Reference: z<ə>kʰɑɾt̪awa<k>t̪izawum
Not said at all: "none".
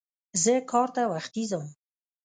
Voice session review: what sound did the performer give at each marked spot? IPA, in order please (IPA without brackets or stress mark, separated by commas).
ə, x